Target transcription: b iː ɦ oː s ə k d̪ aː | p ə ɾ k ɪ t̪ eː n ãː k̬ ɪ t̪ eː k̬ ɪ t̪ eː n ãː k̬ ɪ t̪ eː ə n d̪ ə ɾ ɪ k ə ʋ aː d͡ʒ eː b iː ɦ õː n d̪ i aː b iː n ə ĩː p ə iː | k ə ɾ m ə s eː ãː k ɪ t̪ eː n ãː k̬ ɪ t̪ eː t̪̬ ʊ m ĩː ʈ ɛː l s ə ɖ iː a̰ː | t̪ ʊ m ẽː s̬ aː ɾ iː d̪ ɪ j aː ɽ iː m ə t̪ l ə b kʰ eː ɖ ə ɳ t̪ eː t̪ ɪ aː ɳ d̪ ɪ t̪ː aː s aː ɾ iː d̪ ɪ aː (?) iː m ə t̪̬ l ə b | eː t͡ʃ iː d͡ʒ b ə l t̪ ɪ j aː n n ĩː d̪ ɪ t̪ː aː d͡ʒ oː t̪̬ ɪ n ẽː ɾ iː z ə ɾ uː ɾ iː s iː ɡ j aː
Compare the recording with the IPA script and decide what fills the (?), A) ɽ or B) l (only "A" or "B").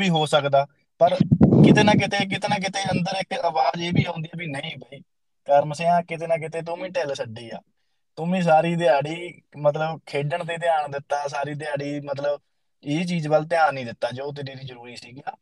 A